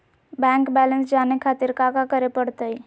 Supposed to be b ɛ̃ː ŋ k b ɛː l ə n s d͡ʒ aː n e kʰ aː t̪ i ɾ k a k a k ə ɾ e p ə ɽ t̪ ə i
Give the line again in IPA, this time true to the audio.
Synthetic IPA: b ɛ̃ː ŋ k b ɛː l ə n s d͡ʒ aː n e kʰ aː t̪ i ɾ k a k a k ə ɾ e p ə ɽ t̪ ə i